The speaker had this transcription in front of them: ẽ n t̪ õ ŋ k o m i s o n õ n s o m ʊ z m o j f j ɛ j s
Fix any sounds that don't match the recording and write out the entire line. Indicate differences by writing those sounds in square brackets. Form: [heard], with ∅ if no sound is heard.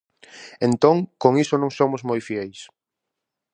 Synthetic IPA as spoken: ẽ n t̪ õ ŋ k o [ŋ] i s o n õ [ŋ] s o m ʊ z m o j f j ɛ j s